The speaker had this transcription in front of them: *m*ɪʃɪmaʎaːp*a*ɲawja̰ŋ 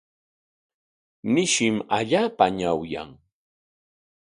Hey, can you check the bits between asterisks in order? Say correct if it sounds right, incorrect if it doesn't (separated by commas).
incorrect, correct